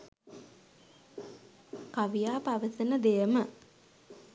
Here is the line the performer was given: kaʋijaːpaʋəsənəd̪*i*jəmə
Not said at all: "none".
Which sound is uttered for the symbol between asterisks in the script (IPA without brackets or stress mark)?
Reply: e